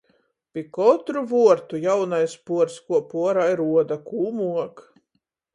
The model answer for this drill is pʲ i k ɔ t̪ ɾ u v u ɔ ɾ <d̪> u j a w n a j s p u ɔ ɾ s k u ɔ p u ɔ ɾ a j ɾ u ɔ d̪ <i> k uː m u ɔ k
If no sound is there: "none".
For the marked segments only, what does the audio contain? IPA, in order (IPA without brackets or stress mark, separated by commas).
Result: t̪, a